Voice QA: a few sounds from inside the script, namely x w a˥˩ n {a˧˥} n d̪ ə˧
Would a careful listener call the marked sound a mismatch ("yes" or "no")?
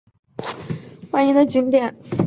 yes